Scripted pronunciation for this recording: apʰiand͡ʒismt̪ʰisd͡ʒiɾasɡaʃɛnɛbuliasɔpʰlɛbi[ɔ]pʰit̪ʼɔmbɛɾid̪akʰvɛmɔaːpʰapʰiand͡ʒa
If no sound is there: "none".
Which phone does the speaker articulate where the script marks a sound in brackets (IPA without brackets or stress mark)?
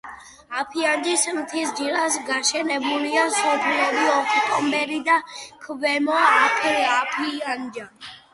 ɔ